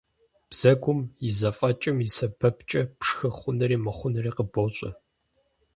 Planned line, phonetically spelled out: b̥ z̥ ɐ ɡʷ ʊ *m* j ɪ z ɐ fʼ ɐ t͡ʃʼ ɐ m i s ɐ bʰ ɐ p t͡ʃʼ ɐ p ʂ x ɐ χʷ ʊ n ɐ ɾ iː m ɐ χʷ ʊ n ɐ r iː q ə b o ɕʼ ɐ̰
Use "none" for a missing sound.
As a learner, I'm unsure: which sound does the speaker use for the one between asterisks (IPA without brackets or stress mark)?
m